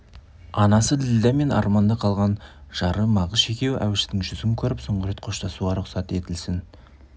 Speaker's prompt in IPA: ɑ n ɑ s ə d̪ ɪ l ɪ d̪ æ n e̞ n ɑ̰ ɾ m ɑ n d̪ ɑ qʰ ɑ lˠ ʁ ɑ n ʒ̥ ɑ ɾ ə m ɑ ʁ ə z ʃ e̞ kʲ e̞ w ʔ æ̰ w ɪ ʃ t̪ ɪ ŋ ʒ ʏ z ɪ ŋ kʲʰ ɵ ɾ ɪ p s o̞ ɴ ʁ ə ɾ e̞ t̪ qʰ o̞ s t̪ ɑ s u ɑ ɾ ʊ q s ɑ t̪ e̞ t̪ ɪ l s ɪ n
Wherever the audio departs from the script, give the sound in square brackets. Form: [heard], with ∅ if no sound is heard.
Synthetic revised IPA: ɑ n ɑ s ə d̪ ɪ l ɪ d̪ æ [m] e̞ n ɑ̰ ɾ m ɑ n d̪ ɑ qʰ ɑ lˠ ʁ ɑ n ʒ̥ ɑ ɾ ə m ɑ ʁ ə z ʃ e̞ kʲ e̞ w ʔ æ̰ w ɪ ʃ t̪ ɪ ŋ ʒ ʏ z ɪ ŋ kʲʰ ɵ ɾ ɪ p s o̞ ɴ ʁ ə ɾ e̞ t̪ qʰ o̞ [ʃ] t̪ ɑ s u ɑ ɾ ʊ q s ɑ t̪ e̞ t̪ ɪ l s ɪ n